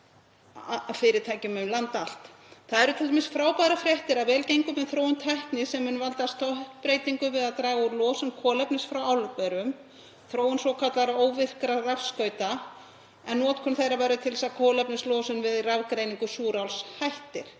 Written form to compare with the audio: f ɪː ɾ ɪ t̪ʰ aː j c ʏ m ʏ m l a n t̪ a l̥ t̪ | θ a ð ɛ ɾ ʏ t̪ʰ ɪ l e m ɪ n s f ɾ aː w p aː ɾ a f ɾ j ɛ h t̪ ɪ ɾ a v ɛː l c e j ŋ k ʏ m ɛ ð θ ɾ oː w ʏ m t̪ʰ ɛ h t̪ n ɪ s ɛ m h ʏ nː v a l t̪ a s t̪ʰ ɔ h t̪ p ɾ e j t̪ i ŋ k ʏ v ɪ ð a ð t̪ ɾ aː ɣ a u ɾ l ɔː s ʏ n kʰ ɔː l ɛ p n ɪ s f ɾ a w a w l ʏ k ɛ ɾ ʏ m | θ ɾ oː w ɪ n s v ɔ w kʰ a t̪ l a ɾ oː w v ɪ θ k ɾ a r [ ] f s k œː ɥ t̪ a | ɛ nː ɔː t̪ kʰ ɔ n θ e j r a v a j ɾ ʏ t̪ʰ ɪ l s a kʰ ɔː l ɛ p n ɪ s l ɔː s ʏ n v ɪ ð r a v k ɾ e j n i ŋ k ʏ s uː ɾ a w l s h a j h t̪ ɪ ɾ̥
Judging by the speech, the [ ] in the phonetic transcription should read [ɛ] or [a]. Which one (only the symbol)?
a